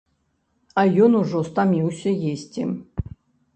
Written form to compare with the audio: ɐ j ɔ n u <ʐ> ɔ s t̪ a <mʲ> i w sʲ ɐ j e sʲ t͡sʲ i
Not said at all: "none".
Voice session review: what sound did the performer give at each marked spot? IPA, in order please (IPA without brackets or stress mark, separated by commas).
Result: ʐ, mʲ